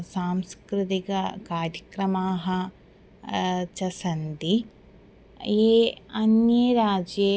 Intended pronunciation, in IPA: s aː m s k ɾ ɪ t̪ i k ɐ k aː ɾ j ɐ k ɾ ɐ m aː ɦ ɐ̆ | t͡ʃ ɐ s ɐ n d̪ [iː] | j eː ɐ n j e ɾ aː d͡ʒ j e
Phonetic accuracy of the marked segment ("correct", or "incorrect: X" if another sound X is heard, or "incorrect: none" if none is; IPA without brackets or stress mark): incorrect: i